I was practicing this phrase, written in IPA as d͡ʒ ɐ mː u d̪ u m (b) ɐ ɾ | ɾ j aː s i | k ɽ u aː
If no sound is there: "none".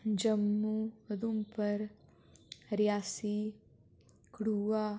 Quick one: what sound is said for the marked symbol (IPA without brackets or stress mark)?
p